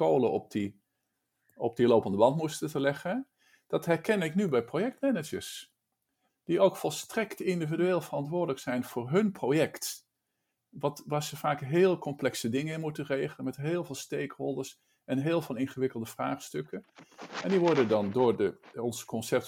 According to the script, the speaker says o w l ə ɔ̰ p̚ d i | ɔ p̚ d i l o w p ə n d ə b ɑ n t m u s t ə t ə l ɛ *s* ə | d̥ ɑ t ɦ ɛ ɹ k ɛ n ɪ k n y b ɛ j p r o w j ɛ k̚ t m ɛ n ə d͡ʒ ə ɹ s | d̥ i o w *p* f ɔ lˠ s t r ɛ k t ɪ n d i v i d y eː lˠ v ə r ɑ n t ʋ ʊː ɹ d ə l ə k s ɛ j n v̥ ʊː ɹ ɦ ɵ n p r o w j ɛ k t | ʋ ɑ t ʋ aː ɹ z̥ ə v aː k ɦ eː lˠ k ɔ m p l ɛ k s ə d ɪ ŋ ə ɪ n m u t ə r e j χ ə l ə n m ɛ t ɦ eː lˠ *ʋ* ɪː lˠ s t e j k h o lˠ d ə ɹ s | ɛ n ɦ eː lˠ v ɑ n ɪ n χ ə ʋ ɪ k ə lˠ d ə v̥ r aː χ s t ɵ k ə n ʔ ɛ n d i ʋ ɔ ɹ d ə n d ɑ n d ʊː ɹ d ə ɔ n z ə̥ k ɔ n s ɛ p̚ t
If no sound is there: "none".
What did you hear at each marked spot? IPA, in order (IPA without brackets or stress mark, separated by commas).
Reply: χ, k, v